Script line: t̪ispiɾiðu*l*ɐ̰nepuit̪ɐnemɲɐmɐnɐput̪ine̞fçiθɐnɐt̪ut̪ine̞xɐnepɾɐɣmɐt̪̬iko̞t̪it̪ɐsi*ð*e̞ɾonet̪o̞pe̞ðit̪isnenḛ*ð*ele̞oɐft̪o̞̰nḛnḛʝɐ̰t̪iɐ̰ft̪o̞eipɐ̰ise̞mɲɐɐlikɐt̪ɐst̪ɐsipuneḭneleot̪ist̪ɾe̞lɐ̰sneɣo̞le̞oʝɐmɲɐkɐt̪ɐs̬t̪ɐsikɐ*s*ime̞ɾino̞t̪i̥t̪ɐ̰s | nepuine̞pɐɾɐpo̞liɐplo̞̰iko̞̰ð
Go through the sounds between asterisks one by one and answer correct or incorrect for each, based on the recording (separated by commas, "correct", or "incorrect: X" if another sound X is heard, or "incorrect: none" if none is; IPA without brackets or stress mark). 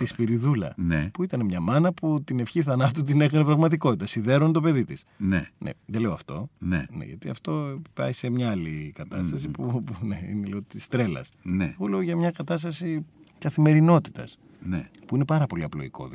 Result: correct, correct, correct, incorrect: θ